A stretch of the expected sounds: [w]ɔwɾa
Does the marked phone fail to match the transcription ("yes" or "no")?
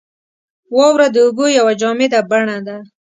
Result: no